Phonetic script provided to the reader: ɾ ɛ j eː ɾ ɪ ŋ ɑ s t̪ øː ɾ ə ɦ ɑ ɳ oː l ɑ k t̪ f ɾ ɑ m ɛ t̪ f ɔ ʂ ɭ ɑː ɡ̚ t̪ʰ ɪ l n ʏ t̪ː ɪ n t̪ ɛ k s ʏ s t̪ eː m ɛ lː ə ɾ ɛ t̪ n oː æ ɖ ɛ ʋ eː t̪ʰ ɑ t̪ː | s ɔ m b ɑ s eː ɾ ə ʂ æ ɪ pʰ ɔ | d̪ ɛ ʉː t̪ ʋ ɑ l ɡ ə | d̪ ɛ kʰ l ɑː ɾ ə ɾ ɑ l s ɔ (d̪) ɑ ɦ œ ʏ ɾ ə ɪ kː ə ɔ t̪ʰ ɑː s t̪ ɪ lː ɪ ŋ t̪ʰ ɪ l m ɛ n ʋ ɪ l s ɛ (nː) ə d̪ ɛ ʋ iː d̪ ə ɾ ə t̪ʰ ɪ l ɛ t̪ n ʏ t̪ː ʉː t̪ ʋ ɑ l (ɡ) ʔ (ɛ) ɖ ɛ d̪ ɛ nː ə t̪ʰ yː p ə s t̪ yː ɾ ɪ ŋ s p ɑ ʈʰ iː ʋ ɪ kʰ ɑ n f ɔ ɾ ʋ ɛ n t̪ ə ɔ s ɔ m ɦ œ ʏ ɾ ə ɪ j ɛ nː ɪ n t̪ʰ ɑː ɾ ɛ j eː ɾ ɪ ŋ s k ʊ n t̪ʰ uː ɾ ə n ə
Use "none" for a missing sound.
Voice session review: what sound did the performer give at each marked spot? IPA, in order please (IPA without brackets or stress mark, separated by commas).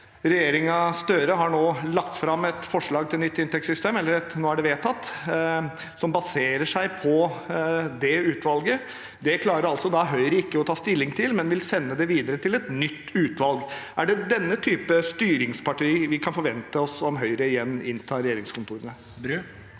d̪, nː, ɡ, æ